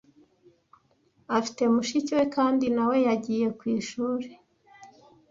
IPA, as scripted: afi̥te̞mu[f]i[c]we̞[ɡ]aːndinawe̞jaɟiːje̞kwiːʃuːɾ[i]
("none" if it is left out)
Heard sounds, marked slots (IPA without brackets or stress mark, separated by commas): ʃ, c, k, e